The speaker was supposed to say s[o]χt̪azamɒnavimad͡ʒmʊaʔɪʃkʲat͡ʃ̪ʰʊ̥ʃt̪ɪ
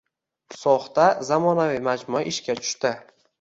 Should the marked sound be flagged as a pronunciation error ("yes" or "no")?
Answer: yes